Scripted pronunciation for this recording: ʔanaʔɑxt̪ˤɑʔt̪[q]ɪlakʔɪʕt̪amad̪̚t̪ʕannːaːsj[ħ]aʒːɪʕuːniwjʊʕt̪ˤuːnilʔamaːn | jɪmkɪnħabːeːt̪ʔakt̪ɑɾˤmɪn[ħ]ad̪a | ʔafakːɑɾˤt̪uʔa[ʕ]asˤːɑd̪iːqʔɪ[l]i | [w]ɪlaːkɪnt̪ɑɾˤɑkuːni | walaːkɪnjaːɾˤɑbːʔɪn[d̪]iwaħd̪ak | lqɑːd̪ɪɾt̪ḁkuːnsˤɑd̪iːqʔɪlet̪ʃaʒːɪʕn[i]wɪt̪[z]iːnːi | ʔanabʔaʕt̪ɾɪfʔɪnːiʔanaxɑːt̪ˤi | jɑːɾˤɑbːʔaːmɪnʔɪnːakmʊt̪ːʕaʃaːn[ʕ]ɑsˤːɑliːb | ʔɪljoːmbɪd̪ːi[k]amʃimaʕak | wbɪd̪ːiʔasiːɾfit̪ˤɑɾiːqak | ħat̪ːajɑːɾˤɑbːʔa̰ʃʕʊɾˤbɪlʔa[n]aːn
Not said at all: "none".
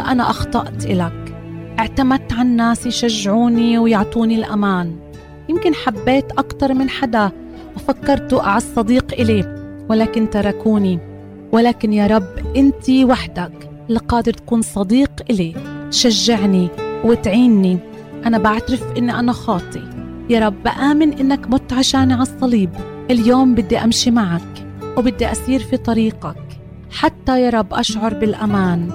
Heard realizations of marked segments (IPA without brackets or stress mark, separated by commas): ʔ, ʃ, ħ, ʕ, l, w, t̪, i, ʕ, ʕ, ʔ, m